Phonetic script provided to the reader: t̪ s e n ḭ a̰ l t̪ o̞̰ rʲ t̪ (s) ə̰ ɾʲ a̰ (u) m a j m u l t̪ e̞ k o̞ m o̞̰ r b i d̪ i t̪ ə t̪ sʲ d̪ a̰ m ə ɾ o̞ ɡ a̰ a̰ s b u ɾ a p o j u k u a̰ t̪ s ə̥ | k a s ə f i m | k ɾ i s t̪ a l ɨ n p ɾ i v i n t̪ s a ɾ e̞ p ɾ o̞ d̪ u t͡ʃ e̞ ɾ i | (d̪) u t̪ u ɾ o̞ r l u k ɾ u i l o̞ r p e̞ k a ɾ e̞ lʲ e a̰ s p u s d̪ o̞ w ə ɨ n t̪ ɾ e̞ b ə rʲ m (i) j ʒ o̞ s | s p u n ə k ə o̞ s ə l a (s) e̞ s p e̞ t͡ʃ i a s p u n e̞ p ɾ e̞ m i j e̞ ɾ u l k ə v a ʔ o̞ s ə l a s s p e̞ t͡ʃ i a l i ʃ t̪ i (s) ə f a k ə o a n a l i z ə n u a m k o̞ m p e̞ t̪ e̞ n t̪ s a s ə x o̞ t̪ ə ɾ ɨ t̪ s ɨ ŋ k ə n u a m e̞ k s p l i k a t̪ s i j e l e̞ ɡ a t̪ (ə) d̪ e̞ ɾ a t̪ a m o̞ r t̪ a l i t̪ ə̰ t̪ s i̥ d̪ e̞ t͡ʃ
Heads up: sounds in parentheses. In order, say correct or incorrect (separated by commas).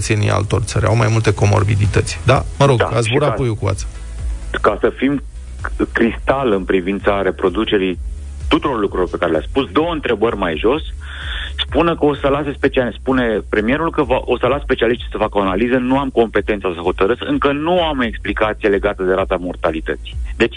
correct, incorrect, incorrect, incorrect, correct, correct, correct